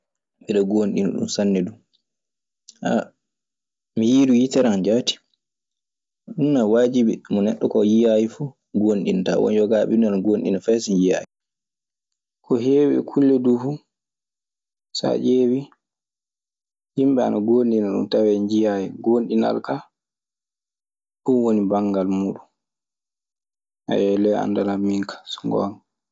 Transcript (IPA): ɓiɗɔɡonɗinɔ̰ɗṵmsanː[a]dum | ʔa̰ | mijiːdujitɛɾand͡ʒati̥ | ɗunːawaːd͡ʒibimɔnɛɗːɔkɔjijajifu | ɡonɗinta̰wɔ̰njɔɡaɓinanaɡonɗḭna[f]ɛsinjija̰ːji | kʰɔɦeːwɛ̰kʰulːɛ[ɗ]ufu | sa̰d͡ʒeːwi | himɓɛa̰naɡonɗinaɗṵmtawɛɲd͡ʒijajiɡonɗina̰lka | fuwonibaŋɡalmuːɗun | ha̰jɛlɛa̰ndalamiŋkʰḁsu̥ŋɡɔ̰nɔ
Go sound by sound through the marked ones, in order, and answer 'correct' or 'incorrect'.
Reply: incorrect, correct, incorrect

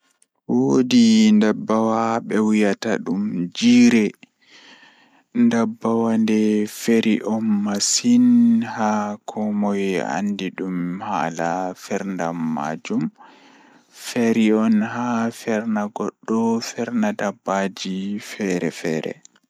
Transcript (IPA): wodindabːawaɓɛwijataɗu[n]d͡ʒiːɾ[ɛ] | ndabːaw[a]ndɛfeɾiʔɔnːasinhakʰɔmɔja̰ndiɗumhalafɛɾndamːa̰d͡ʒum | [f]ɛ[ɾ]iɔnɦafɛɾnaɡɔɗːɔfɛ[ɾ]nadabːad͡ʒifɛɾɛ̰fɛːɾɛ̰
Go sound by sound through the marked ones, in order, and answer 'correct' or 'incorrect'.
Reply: incorrect, correct, correct, correct, correct, correct

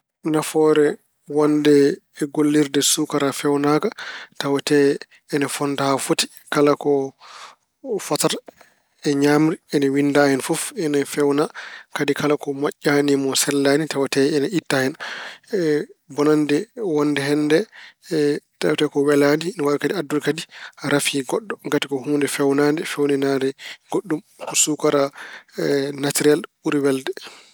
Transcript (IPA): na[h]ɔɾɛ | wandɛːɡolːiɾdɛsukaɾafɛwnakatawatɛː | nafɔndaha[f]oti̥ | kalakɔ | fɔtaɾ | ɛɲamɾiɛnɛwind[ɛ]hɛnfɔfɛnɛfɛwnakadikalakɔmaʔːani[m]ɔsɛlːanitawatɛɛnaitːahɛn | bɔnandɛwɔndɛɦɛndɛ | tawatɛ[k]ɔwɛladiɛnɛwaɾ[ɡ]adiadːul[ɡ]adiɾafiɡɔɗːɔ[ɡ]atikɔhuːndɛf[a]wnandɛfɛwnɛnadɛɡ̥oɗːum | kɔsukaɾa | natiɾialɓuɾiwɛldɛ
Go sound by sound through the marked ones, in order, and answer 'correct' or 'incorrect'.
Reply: incorrect, correct, incorrect, correct, correct, incorrect, incorrect, correct, incorrect

